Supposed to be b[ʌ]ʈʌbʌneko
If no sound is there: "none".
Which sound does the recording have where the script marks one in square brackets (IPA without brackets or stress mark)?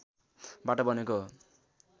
a